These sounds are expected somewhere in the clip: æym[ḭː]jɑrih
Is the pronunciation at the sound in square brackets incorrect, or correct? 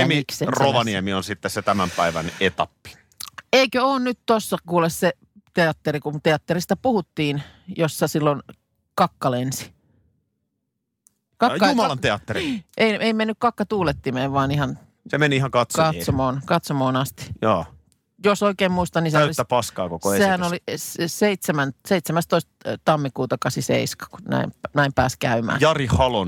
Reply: incorrect